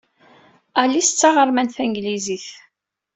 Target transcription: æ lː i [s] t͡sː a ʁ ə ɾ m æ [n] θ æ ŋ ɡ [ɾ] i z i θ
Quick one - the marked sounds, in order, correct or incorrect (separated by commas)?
correct, correct, incorrect